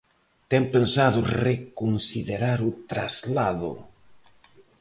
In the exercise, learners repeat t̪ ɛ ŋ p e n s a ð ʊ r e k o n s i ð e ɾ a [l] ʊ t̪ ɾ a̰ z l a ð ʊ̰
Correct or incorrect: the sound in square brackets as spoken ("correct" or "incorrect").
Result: incorrect